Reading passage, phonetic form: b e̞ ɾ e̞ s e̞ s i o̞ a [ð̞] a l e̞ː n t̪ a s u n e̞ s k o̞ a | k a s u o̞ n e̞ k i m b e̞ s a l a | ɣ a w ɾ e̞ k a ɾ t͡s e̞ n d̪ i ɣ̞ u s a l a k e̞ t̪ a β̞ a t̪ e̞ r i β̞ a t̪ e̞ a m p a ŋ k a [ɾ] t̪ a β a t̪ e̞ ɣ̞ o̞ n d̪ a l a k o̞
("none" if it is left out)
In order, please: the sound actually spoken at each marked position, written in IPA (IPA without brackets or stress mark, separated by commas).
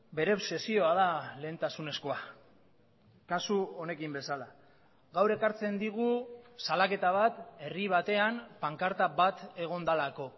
ð̞, ɾ